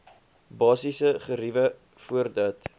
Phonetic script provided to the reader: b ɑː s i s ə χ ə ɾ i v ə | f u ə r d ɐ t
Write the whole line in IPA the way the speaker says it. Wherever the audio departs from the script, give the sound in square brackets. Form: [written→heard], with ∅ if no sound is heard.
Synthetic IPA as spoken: b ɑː s i s ə χ ə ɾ i v ə | f u ə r d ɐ t